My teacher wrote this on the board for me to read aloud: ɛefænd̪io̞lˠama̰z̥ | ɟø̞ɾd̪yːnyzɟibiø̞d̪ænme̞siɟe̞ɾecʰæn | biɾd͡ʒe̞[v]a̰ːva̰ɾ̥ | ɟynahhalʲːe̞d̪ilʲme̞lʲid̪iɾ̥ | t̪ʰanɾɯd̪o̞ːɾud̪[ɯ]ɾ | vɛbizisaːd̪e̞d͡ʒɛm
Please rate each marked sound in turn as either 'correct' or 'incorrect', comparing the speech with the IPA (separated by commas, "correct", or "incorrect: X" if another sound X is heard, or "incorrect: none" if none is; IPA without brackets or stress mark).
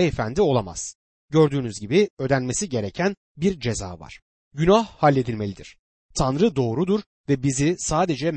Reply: incorrect: z, incorrect: u